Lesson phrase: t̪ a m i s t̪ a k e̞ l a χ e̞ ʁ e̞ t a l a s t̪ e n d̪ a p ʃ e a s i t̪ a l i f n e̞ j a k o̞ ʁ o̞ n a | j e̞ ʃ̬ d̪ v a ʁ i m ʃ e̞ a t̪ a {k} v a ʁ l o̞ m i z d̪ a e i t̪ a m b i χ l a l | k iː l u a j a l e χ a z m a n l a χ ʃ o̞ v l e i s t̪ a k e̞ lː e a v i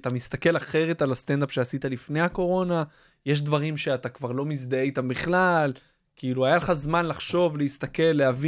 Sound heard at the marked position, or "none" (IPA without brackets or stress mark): k